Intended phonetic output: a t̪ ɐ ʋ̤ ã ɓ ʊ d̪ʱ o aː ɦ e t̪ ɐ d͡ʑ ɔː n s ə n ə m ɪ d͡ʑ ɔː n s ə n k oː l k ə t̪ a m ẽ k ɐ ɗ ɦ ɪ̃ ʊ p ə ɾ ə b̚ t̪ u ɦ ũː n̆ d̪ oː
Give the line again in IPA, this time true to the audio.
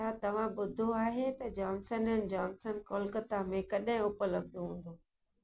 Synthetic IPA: a t̪ ɐ ʋ̤ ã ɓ ʊ d̪ʱ o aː ɦ e t̪ ɐ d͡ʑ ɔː n s ə n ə n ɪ d͡ʑ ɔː n s ə n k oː l k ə t̪ a m ẽ k ɐ ɗ ɦ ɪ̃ ʊ p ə l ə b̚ d̪ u ɦ ũː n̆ d̪ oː